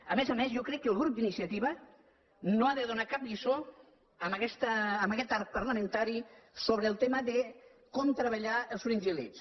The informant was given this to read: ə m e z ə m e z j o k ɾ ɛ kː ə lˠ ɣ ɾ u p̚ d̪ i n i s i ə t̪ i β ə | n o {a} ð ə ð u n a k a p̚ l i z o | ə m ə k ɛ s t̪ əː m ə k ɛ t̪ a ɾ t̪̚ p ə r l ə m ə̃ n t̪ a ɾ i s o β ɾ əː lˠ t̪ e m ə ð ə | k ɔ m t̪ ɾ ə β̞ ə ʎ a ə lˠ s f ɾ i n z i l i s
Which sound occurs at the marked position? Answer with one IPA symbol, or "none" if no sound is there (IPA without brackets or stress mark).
a